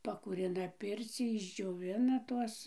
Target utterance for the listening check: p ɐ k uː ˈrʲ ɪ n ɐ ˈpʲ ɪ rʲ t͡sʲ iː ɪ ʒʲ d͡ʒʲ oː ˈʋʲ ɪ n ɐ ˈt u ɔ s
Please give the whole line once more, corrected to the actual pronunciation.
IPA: p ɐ k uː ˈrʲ ɪ n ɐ ˈpʲ ɪ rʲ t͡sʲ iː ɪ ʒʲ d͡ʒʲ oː ˈʋʲ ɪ n ɐ ˈt u ɔ s